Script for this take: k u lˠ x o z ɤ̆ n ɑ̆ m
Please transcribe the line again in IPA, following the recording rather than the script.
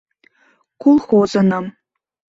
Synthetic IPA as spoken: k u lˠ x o z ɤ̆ n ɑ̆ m